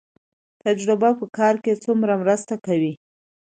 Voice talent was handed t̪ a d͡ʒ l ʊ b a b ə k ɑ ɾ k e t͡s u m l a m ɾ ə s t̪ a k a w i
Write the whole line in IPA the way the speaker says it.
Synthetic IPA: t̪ a d͡ʒ ɾ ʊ b a p ə k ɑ ɾ k e t͡s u m ɾ a m ɾ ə s t̪ a k a w i